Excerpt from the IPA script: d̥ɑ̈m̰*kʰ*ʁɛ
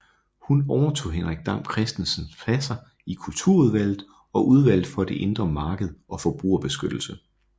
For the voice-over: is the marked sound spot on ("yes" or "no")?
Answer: yes